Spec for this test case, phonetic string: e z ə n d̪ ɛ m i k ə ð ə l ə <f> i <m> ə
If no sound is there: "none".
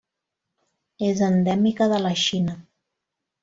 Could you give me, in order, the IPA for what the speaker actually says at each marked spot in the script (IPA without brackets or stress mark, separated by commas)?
ʃ, n